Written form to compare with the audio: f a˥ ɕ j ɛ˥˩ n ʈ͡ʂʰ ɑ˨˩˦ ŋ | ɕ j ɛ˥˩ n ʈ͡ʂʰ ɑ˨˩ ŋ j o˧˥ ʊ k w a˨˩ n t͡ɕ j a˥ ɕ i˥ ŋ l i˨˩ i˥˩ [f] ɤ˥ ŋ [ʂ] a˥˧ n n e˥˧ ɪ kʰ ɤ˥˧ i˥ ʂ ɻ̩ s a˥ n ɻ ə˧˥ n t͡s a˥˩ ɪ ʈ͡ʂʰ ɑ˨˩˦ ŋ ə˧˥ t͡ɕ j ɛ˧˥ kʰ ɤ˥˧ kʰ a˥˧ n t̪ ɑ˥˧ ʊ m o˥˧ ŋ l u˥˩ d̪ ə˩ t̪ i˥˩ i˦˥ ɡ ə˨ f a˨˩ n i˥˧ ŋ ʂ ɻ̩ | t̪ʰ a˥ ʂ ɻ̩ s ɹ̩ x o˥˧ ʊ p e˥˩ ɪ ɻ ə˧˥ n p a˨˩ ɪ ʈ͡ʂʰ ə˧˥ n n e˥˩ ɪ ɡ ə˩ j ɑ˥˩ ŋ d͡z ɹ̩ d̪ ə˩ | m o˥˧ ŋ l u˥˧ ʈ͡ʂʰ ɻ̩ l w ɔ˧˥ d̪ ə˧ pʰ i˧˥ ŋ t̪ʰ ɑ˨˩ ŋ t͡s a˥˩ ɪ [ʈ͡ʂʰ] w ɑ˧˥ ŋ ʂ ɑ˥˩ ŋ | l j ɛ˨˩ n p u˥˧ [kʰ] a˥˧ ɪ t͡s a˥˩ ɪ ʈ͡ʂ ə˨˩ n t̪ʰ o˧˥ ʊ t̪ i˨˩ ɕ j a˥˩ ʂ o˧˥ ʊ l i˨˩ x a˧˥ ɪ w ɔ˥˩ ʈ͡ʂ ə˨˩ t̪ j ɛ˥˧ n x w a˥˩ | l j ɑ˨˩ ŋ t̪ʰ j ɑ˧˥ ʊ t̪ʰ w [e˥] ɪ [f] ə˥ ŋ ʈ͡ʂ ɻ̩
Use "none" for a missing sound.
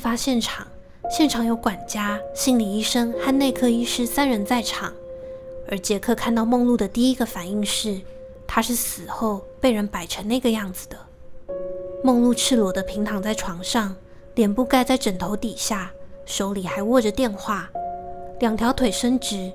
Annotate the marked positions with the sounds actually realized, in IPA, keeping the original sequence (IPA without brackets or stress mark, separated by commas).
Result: ʂ, x, ʈ͡ʂʰ, k, e˨˩, ʂ